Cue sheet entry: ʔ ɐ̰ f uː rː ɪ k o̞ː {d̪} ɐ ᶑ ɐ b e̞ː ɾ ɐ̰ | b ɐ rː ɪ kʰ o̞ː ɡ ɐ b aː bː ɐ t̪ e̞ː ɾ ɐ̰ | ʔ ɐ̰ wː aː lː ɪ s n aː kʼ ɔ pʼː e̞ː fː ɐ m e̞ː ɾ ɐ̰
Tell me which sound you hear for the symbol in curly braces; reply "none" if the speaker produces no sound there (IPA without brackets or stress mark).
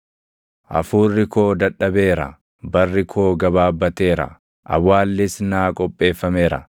d̪